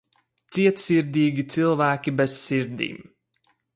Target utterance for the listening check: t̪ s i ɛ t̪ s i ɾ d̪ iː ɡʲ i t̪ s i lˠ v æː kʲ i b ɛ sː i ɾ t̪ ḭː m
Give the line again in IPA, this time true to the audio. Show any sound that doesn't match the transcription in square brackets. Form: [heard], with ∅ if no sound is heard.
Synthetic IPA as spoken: t̪ s i ɛ t̪ s i ɾ d̪ iː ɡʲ i t̪ s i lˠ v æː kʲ i b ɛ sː i ɾ [d̪] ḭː m